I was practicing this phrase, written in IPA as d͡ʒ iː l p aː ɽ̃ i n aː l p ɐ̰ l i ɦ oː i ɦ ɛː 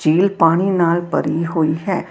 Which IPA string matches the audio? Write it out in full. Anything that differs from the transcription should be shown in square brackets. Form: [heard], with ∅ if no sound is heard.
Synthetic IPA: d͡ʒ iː l p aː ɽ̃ i n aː l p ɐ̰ [ɾ] i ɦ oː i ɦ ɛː